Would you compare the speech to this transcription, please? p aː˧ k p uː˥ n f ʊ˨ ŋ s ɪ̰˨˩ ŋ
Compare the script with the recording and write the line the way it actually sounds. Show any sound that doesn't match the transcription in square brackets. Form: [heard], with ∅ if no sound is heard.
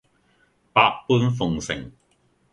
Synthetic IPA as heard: p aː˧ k p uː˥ n f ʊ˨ ŋ s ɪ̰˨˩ ŋ